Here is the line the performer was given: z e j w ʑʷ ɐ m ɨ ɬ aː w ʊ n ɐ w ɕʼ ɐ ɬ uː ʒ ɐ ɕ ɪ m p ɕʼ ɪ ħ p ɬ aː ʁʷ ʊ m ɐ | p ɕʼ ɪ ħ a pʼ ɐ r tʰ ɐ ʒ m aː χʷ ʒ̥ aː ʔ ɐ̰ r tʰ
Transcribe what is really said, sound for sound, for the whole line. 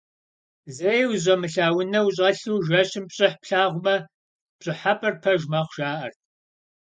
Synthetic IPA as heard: z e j w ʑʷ ɐ m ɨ ɬ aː w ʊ n ɐ w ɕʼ ɐ ɬ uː ʒ ɐ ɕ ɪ m p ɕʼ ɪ ħ p ɬ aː ʁʷ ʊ m ɐ | p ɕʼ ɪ ħ a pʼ ɐ r pʰ ɐ ʒ m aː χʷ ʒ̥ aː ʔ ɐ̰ r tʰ